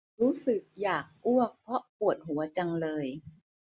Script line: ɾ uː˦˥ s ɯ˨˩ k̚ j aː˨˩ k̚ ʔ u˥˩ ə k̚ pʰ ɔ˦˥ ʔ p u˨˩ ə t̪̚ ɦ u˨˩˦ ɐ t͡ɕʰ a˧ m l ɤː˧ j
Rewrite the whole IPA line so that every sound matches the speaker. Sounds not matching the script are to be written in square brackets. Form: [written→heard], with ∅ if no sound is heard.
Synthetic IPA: ɾ uː˦˥ s ɯ˨˩ k̚ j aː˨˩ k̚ ʔ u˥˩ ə k̚ pʰ ɔ˦˥ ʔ p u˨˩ ə t̪̚ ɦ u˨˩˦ ɐ [t͡ɕʰ→t͡ɕ] a˧ [m→ŋ] l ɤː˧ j